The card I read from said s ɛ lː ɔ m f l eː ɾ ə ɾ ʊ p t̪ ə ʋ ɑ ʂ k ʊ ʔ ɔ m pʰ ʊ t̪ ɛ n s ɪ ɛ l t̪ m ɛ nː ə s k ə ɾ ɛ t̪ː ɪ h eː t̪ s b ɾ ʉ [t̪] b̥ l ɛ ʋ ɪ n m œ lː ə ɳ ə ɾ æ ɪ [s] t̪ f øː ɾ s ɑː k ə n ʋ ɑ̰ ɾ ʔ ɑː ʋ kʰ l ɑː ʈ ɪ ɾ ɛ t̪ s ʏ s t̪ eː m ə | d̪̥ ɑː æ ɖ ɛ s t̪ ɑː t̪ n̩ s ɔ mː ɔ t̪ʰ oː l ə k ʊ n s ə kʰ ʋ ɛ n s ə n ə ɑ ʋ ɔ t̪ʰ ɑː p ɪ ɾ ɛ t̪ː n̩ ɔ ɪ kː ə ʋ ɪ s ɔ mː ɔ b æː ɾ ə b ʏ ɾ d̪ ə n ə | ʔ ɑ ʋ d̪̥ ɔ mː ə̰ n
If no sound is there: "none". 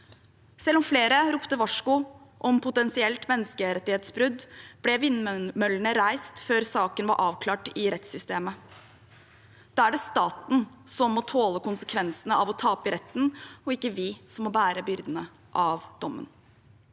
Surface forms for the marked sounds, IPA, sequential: d̪, s

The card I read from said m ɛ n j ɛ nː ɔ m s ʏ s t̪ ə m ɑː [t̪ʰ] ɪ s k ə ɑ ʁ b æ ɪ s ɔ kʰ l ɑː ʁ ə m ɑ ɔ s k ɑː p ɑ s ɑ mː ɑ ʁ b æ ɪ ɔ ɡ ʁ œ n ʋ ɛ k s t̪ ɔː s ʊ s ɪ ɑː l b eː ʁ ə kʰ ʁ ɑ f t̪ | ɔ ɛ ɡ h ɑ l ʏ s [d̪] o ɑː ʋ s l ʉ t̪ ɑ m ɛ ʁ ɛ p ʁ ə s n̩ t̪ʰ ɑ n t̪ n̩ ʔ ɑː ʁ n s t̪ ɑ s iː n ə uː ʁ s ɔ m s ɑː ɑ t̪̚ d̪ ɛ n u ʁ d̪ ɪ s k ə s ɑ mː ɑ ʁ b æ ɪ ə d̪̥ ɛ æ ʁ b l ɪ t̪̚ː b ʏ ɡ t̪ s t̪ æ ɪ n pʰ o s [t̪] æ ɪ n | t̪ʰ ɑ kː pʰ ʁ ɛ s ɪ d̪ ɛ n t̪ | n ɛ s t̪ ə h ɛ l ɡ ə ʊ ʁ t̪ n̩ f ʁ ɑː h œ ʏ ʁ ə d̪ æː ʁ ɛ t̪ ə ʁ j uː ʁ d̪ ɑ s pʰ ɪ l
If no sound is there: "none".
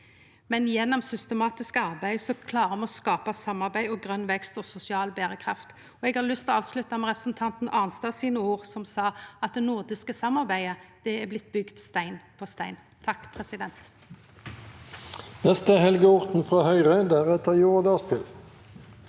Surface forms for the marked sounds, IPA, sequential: t̪, t̪, t̪

